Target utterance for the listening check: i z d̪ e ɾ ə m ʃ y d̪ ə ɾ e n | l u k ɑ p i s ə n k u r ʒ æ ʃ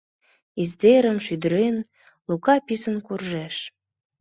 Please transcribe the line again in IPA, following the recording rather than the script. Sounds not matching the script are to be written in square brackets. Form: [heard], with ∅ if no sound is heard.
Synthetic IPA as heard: i z d̪ e ɾ ə m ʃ y d̪ ə ɾ e n | l u k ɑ p i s ə n k u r ʒ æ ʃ